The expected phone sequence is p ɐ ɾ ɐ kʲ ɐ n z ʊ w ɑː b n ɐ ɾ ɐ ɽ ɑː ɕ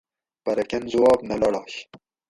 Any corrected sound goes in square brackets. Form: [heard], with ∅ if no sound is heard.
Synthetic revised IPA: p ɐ ɾ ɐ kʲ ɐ n z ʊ w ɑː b n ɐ [l] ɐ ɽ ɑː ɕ

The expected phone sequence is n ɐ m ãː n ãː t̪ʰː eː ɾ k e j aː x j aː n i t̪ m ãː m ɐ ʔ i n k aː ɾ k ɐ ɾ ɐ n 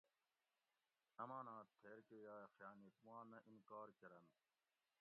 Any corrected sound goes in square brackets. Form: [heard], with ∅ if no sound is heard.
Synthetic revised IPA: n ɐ m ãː n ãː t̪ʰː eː ɾ k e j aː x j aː n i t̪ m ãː [n] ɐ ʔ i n k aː ɾ k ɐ ɾ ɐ n

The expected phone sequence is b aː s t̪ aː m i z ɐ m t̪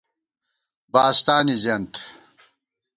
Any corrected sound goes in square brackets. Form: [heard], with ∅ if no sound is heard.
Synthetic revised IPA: b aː s t̪ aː [n] i z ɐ [n] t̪

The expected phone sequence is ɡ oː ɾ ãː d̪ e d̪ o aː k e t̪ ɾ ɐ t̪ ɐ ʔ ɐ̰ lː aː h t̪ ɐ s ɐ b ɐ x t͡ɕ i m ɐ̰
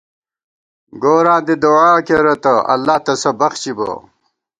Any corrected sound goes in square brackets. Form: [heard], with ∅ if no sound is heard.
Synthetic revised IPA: ɡ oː ɾ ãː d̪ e d̪ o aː k e [∅] ɾ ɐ t̪ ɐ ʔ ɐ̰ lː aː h t̪ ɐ s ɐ b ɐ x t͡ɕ i [b] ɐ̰

